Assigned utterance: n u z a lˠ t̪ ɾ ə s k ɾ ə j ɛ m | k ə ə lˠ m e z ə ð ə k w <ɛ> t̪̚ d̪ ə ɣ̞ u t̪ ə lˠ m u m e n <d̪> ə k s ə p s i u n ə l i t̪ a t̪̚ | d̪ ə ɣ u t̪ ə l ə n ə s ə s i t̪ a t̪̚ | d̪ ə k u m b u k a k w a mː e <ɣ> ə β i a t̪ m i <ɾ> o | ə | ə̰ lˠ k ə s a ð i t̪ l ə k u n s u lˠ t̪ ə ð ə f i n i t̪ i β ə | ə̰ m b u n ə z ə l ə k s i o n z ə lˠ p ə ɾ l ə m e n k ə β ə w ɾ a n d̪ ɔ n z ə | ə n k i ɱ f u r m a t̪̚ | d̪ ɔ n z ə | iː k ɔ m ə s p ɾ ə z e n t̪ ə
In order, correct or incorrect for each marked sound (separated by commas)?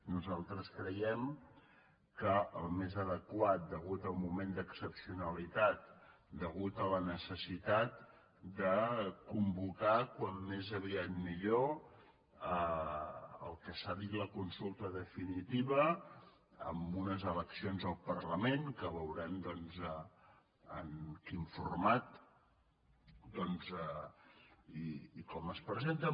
incorrect, correct, incorrect, incorrect